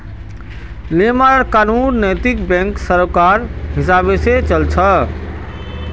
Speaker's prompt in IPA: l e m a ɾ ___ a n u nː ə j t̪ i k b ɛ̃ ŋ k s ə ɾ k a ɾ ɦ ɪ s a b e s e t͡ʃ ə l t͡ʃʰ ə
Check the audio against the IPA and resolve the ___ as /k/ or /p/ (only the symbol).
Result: k